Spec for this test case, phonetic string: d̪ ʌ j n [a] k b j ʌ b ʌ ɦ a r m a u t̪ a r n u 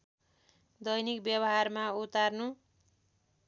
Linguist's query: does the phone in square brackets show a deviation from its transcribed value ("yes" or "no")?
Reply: yes